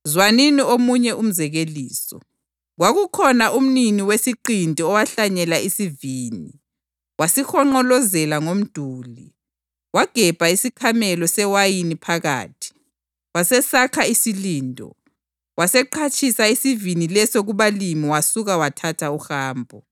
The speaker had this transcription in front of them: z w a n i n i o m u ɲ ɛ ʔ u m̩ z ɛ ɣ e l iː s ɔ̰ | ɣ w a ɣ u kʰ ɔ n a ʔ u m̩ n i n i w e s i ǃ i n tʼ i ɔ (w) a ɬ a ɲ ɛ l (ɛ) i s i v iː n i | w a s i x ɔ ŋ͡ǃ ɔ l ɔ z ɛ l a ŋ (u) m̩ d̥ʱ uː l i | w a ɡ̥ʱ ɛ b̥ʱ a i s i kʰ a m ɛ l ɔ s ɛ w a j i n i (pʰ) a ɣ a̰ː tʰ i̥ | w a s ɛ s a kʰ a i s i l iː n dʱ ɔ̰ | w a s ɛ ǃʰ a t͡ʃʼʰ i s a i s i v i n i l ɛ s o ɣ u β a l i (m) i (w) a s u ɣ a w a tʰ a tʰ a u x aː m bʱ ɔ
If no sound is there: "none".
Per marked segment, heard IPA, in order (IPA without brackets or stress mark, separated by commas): w, a, o, pʰ, m, w